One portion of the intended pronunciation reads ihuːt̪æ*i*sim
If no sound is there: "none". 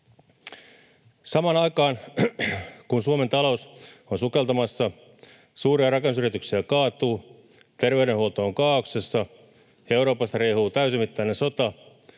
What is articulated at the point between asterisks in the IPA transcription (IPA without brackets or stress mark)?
y